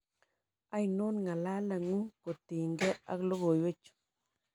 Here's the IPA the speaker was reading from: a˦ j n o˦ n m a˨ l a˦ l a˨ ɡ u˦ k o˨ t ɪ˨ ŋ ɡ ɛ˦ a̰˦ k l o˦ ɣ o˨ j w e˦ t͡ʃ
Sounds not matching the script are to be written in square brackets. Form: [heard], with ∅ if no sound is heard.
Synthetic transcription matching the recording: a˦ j n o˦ n [ŋ] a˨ l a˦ l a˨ [ŋ] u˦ k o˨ t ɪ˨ ŋ ɡ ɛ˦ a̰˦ k l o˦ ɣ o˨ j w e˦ t͡ʃ